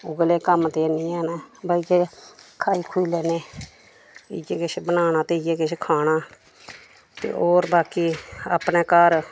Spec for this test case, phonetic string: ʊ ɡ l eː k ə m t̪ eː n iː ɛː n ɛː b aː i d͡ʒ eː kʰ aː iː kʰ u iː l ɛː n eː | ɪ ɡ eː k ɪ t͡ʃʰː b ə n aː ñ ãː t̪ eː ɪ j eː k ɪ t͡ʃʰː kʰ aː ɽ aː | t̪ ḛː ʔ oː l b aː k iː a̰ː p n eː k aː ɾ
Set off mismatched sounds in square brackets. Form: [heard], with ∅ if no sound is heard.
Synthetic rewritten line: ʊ ɡ l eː k ə m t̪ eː n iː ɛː n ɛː b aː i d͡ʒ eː kʰ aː iː kʰ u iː l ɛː n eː | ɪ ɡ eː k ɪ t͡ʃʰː b ə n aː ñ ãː t̪ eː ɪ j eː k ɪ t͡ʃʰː kʰ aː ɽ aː | t̪ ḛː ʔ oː [ɾ] b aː k iː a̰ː p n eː k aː ɾ